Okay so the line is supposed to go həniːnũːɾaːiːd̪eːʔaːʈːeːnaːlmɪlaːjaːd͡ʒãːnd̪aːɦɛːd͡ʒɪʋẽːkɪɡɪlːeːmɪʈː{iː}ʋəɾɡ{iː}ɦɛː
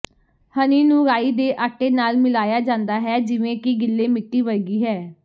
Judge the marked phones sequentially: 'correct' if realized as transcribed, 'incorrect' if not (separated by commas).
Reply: correct, correct